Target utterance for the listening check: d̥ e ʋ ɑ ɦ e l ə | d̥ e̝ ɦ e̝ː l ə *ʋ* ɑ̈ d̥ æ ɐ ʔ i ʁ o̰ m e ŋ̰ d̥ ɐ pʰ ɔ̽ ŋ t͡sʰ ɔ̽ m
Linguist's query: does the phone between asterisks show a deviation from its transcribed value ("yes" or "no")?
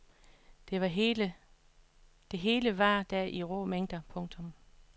no